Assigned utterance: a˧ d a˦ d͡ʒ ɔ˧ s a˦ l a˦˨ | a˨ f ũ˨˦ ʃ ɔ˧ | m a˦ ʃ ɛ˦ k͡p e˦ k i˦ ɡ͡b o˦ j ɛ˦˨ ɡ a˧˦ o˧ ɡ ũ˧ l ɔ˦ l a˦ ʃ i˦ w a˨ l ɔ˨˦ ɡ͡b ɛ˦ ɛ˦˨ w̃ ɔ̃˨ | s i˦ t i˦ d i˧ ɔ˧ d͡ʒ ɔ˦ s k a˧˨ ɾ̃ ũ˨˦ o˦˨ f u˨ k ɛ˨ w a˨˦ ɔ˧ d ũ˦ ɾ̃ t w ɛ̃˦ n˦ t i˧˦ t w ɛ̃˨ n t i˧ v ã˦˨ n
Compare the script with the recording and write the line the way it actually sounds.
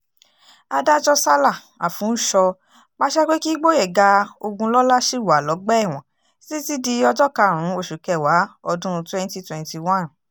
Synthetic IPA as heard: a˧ d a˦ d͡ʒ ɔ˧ s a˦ l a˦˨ | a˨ f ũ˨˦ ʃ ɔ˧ | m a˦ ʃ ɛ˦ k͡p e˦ k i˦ ɡ͡b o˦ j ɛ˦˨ ɡ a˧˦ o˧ ɡ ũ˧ l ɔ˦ l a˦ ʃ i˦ w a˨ l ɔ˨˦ ɡ͡b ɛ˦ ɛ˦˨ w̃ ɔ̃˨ | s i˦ t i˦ d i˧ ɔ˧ d͡ʒ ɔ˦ k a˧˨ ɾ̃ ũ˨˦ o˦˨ ʃ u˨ k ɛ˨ w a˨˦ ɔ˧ d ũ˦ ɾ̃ t w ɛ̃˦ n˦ t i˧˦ t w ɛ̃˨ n t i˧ w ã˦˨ n